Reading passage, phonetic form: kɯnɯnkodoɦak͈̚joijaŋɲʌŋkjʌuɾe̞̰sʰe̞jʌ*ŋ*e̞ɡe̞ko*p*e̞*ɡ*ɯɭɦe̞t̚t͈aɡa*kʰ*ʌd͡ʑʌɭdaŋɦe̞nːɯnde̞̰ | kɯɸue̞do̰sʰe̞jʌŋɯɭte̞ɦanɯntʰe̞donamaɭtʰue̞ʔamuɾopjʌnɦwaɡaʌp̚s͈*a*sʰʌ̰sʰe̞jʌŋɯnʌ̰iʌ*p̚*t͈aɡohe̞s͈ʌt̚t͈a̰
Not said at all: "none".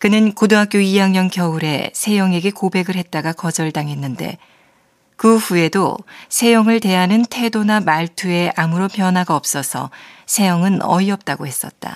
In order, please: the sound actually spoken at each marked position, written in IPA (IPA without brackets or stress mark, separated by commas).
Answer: ŋ, b, ɡ, k, ʌ, p̚